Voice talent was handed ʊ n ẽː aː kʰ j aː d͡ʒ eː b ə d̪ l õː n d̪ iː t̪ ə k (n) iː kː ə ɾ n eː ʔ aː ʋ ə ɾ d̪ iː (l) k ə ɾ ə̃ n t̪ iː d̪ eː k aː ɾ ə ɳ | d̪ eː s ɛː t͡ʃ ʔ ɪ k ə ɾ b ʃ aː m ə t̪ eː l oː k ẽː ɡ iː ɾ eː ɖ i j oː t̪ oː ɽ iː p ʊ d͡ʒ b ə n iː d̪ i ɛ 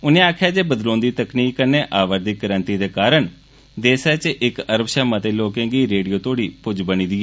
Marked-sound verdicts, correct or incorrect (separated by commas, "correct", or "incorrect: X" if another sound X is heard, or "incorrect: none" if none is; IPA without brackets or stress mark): correct, incorrect: none